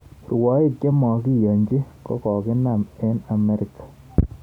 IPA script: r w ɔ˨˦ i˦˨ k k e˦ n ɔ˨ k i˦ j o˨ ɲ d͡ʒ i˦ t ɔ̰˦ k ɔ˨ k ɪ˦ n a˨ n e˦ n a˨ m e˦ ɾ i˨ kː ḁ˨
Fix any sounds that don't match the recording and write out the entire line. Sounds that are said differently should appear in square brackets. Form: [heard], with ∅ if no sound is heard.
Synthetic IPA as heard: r w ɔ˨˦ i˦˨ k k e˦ [m] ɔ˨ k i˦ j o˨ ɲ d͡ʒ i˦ [k] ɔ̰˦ k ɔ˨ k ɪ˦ n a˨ [m] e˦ n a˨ m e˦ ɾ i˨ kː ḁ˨